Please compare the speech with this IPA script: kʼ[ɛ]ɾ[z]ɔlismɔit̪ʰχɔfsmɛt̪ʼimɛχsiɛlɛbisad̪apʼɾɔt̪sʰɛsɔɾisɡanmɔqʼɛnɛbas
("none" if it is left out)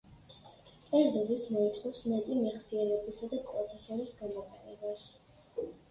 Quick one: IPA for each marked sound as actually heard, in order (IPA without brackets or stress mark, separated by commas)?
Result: ɛ, z